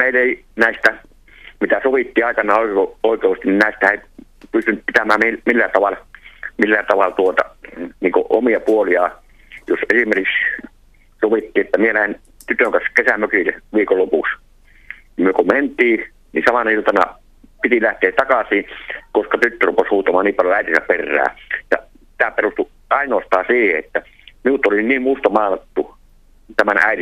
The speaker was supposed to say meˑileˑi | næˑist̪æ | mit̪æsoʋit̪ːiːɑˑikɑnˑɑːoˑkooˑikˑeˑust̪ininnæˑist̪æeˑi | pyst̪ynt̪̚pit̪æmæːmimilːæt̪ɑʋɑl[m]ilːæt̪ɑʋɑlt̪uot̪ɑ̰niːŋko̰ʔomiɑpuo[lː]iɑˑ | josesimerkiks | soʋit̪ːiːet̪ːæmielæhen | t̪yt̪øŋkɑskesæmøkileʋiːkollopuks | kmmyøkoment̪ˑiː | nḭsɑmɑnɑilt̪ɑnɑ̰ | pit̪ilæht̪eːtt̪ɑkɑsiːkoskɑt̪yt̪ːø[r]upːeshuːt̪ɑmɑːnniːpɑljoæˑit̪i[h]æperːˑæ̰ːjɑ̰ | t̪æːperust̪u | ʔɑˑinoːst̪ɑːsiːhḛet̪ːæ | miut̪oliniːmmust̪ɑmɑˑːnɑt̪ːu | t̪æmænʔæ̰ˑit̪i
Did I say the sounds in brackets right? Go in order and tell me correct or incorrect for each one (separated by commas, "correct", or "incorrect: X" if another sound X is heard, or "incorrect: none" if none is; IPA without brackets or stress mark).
correct, incorrect: l, correct, incorrect: s